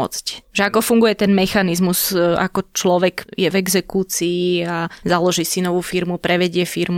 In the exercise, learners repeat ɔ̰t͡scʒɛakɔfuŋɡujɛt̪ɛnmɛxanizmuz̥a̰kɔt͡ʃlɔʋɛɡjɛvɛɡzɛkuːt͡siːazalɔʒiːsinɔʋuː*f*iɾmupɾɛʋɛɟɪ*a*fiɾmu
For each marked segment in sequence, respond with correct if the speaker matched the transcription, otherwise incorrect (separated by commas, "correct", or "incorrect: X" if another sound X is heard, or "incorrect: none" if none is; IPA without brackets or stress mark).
correct, incorrect: ɛ